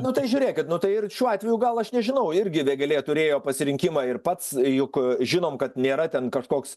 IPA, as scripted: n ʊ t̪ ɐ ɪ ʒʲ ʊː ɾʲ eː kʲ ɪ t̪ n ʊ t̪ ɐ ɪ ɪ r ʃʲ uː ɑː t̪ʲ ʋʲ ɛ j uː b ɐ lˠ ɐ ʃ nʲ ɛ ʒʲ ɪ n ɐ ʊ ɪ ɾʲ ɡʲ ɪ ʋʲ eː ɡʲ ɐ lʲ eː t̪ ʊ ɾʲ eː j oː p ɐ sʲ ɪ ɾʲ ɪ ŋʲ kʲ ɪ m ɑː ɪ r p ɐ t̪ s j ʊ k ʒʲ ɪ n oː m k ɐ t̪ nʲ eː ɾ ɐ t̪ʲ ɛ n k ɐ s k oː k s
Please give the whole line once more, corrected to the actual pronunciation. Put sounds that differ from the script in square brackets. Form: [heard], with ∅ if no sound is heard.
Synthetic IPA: n ʊ t̪ ɐ ɪ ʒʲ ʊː ɾʲ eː kʲ ɪ t̪ n ʊ t̪ ɐ ɪ ɪ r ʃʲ uː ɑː t̪ʲ ʋʲ ɛ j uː [ɡ] ɐ lˠ ɐ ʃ nʲ ɛ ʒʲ ɪ n ɐ ʊ ɪ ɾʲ ɡʲ ɪ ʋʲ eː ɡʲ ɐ lʲ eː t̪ ʊ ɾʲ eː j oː p ɐ sʲ ɪ ɾʲ ɪ ŋʲ kʲ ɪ m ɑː ɪ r p ɐ t̪ s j ʊ k ʒʲ ɪ n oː m k ɐ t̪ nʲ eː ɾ ɐ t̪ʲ ɛ n k ɐ [ʃ] k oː k s